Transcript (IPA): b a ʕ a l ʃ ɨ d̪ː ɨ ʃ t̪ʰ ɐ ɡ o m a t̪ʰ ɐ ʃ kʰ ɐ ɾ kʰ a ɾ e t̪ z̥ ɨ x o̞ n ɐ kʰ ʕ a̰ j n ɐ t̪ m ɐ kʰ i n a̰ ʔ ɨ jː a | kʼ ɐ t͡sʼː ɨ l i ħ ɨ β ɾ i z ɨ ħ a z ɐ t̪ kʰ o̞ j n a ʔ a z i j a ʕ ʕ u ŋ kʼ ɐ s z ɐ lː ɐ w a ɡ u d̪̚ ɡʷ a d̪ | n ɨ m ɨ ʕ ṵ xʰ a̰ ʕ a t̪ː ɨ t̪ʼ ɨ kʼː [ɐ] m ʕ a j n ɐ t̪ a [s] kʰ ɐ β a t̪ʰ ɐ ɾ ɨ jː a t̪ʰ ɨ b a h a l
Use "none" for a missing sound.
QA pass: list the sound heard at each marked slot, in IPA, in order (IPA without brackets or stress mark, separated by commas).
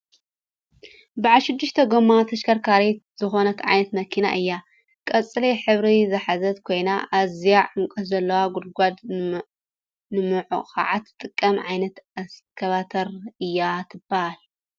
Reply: ɐ, s